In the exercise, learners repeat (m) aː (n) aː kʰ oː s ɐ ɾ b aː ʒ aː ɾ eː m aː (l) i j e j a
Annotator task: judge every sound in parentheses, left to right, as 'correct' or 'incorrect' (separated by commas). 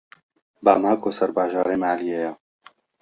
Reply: incorrect, incorrect, correct